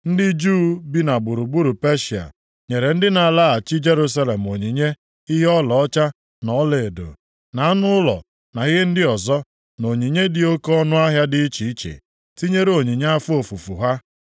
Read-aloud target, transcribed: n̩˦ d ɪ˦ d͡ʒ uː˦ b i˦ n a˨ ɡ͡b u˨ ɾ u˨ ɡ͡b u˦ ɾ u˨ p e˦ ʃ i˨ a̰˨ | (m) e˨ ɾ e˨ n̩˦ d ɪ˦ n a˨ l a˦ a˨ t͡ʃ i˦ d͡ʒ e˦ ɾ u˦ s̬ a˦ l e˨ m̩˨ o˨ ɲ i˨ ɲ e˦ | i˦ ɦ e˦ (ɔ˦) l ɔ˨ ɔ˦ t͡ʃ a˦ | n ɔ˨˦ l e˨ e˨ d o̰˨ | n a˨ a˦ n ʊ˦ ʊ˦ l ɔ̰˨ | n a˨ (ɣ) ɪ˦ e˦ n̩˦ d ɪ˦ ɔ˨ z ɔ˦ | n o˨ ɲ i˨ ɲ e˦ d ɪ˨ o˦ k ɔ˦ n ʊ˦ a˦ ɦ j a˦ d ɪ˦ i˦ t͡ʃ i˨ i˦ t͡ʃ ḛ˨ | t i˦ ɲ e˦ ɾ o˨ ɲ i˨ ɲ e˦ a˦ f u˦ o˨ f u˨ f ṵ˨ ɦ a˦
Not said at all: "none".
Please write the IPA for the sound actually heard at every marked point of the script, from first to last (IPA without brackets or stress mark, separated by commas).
ɲ, ɔ˦, ɣ